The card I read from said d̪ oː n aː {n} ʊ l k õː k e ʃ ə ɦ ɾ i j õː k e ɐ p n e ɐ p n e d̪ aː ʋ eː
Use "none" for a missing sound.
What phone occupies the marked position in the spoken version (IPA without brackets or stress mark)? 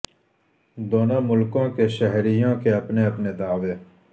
m